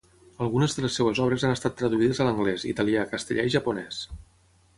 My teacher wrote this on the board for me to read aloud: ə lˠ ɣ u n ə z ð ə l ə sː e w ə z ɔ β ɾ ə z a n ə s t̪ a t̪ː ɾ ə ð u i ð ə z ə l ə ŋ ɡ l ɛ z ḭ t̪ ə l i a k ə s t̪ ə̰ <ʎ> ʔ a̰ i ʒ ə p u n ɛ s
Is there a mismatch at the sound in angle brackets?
no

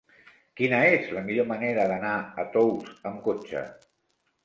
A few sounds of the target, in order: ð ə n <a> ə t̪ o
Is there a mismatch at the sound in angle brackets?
no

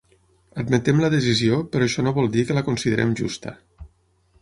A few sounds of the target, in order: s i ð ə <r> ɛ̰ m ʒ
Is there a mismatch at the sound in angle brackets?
yes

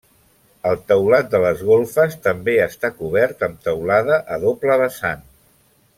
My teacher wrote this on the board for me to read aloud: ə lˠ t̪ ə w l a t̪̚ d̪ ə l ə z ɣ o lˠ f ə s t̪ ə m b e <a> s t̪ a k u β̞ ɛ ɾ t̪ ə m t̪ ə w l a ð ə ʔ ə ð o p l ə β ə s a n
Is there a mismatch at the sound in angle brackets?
yes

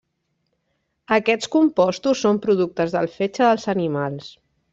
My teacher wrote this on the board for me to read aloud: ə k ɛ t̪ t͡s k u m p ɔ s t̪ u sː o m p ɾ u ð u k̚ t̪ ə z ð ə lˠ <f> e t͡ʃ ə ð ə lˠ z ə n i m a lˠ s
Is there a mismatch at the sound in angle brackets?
no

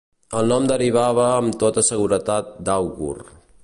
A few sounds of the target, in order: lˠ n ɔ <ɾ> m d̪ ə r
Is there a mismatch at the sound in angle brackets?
yes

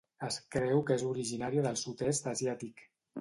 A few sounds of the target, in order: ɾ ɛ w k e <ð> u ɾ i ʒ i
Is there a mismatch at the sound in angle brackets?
yes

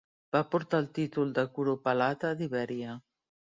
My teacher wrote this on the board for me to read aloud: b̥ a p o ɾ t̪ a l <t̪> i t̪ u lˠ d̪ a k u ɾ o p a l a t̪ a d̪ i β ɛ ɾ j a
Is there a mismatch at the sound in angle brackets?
no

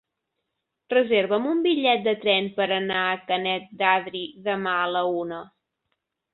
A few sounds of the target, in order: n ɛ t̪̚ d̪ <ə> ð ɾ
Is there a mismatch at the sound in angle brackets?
yes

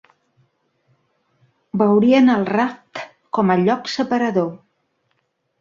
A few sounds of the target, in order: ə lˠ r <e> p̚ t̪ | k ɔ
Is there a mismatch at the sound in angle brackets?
yes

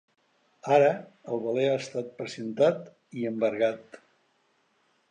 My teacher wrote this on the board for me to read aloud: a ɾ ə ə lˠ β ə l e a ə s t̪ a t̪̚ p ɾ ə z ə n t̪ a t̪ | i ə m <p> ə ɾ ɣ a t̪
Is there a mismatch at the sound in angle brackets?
yes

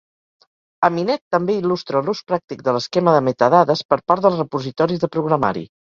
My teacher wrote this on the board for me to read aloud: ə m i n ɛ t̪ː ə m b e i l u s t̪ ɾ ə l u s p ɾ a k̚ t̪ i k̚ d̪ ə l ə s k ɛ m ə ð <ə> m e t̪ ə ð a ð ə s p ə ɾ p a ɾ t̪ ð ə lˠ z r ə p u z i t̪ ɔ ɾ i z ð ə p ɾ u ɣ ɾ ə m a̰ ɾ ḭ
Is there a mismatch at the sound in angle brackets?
no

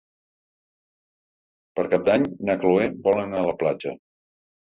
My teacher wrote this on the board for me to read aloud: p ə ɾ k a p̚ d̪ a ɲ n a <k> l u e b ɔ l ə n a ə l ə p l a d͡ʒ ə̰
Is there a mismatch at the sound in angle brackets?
no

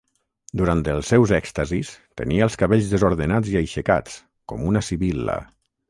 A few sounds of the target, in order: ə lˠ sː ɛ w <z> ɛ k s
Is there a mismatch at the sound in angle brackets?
no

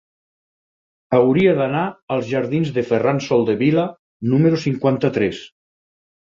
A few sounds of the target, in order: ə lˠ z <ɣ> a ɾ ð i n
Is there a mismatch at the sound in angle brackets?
yes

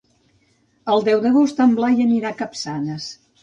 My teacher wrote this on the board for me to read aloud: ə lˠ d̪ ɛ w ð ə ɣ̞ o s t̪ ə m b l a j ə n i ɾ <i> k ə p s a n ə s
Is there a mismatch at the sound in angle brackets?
yes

